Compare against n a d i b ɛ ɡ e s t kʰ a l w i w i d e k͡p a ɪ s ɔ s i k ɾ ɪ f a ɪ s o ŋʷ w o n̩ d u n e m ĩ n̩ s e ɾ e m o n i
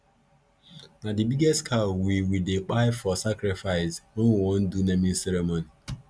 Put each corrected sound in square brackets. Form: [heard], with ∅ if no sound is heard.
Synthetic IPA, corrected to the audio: n a d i b [i] ɡ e s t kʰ a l w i w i d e k͡p a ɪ [f] ɔ s [a] k ɾ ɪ f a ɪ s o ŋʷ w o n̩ d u n e m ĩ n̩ s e ɾ e m o n i